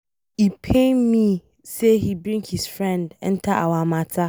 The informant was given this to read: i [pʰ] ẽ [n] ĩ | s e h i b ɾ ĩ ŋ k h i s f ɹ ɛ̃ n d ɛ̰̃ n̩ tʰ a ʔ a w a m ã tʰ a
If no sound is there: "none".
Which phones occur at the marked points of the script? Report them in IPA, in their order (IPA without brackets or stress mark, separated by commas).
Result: pʰ, m